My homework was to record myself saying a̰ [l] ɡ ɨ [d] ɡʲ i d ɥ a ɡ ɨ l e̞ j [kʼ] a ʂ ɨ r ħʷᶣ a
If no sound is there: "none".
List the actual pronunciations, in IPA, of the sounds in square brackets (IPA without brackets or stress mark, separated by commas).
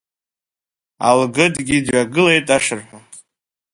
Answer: l, d, tʼ